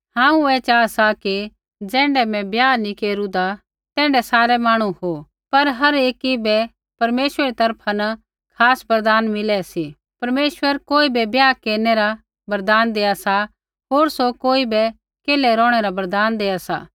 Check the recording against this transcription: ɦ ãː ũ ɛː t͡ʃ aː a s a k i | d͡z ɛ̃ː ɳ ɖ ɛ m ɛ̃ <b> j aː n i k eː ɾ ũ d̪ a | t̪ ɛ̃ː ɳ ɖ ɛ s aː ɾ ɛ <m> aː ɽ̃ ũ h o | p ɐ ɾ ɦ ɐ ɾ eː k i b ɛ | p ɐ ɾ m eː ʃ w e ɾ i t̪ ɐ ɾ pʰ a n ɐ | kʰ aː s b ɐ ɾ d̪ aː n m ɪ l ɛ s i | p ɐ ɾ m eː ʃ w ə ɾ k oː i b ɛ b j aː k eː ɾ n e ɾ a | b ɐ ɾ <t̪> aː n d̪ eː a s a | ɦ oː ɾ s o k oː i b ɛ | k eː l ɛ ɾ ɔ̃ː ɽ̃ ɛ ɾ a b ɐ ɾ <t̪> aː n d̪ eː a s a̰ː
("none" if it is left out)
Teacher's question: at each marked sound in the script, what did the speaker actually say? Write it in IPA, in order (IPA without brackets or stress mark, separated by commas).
b, m, d̪, d̪